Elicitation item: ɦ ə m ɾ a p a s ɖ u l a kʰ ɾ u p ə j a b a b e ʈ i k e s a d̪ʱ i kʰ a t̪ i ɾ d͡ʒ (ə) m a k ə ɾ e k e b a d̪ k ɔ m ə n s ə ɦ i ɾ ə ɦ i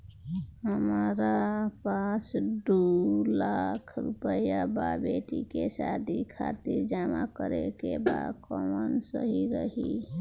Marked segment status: incorrect: a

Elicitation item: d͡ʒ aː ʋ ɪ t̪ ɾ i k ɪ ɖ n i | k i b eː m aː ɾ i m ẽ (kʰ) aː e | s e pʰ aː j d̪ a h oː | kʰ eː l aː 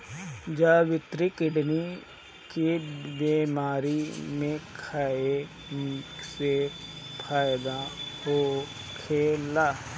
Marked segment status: correct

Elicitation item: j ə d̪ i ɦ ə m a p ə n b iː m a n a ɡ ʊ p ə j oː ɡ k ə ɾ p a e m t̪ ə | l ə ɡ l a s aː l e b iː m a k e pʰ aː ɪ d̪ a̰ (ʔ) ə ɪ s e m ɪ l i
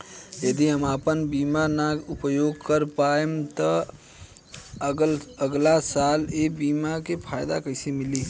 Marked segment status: incorrect: k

